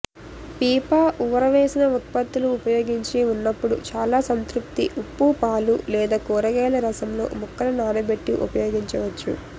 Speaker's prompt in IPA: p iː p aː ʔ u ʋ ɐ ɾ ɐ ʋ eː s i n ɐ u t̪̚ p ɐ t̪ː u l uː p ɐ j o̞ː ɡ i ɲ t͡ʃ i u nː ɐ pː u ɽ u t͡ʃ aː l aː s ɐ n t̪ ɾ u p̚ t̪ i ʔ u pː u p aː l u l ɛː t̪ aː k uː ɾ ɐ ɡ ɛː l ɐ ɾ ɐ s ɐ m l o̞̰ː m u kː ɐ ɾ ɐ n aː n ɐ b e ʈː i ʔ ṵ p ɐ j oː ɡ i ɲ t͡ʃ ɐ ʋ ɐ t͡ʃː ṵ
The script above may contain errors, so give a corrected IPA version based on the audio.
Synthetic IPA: p iː p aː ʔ u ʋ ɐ ɾ ɐ ʋ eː s i n ɐ u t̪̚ p ɐ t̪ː u l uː p ɐ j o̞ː ɡ i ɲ t͡ʃ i u nː ɐ pː u ɽ u t͡ʃ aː l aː s ɐ n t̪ ɾ u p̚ t̪ i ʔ u pː u p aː l u l ɛː d̪ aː k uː ɾ ɐ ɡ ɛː l ɐ ɾ ɐ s ɐ m l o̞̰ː m u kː ɐ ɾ ɐ n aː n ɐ b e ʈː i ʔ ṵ p ɐ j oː ɡ i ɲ t͡ʃ ɐ ʋ ɐ t͡ʃː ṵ